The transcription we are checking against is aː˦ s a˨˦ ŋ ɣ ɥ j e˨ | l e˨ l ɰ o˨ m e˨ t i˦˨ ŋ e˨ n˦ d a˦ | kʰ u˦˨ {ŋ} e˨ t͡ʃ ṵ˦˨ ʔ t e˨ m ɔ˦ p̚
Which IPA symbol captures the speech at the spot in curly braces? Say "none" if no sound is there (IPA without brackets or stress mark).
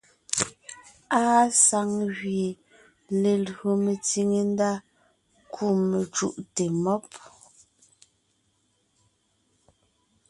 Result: m